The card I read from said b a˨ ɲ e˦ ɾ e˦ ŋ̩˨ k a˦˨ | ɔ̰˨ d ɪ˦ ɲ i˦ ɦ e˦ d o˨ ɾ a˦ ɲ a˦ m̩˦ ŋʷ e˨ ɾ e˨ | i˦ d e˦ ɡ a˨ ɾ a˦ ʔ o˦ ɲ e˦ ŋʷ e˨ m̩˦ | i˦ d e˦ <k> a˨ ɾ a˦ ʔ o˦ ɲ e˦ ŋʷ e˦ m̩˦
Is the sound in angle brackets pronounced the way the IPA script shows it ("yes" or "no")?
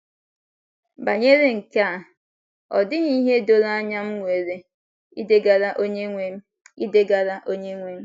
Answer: no